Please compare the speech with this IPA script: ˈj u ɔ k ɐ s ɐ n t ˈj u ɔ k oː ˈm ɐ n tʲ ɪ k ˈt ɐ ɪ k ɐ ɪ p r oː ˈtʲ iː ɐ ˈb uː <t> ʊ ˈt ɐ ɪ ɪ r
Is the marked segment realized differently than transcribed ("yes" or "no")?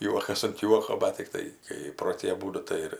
yes